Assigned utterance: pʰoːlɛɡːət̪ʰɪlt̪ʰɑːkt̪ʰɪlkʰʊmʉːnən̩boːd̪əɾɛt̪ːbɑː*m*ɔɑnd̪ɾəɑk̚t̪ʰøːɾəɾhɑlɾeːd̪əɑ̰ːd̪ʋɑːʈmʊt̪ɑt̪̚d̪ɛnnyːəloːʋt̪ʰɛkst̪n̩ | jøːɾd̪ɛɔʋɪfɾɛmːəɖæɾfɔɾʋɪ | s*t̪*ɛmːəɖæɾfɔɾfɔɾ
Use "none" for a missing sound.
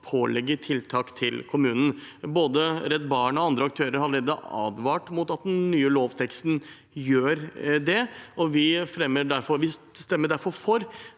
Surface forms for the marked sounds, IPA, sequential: ɳ, t̪

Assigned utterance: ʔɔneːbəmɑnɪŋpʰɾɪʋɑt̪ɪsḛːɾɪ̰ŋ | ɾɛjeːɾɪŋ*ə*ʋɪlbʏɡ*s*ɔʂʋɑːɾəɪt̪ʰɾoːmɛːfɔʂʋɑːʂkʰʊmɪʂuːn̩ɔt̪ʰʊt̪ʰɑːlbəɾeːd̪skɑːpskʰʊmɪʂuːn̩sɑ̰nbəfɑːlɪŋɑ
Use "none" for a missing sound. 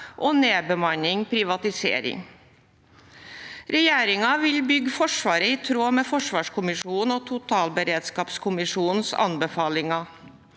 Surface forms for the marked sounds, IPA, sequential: ɑ, f

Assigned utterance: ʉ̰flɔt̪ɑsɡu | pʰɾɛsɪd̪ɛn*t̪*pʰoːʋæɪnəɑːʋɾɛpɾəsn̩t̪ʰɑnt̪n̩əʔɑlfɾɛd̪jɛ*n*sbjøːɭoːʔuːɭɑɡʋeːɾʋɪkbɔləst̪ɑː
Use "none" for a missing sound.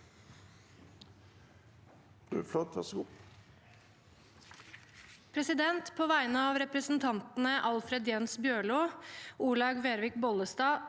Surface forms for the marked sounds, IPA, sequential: t̪, n

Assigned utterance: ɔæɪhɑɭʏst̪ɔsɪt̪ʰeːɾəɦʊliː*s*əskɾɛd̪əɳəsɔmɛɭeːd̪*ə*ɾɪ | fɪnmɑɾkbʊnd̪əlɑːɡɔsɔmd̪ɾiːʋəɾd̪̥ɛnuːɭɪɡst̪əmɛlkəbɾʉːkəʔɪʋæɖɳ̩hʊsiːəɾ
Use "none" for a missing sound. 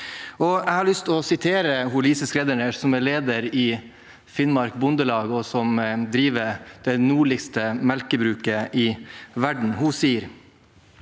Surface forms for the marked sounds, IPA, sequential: s, ə

